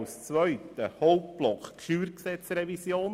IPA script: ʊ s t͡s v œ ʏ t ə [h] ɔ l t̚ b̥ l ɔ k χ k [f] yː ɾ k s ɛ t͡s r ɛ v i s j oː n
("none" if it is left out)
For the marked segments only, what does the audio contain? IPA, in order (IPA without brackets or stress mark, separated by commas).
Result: h, ʃ